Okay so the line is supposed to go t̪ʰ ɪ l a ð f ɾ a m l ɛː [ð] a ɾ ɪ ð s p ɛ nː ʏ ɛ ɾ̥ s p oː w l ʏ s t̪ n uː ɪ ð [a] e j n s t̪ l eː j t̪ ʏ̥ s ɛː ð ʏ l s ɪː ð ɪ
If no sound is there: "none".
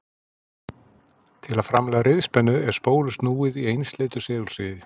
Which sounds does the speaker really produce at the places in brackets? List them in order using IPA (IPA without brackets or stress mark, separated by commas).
ɣ, i